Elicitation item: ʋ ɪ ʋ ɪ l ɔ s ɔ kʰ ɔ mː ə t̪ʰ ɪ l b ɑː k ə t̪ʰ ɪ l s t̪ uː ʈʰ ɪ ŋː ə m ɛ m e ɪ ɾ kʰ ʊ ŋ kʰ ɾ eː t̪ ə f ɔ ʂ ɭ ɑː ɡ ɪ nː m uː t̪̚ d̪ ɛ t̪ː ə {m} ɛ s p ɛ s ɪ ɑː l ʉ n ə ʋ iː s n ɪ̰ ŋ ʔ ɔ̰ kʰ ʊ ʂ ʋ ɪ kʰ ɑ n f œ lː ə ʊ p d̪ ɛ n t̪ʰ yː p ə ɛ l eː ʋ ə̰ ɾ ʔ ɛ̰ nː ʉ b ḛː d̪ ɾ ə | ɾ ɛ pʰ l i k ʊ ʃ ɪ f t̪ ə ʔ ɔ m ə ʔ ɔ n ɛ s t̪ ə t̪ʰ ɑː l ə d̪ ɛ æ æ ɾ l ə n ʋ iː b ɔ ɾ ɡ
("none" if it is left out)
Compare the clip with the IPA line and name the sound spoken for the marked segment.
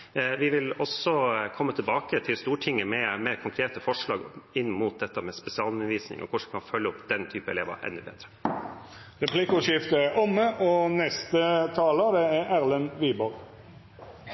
m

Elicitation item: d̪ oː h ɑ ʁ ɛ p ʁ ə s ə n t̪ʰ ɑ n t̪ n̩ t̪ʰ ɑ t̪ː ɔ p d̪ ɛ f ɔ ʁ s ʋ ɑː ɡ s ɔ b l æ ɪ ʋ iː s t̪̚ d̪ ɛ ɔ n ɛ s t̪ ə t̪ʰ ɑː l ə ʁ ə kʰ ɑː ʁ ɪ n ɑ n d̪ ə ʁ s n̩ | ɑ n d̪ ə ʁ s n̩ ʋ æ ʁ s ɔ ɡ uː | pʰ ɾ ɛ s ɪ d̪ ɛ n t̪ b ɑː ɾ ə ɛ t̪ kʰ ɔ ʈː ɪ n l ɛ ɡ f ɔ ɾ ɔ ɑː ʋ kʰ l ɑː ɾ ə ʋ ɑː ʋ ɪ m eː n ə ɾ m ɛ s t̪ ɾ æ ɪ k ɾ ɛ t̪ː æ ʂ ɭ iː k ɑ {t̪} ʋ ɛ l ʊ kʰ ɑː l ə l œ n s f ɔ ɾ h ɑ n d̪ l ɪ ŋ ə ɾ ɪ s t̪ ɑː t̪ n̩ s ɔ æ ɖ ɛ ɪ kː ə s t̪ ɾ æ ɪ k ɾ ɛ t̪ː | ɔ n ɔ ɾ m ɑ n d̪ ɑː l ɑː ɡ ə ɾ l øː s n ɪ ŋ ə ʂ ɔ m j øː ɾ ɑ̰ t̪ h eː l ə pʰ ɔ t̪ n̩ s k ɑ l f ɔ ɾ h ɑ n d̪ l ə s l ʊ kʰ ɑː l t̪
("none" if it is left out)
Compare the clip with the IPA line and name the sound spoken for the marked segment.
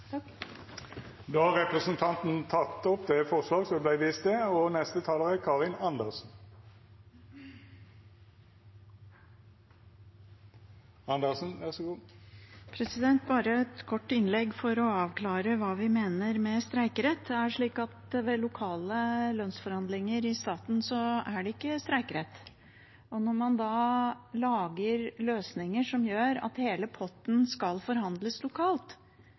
t̪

